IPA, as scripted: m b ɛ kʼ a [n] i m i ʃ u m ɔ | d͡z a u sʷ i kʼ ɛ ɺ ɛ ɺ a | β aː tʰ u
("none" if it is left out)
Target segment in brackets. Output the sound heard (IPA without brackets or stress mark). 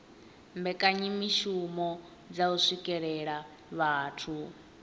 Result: ɲ